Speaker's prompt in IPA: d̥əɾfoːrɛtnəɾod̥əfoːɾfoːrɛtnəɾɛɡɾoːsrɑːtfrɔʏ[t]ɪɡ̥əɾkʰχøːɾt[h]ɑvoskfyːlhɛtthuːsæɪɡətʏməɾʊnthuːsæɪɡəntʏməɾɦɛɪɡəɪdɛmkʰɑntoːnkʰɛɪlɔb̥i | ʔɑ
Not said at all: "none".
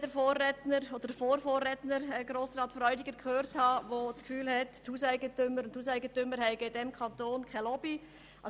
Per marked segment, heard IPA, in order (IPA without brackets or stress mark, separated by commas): d, h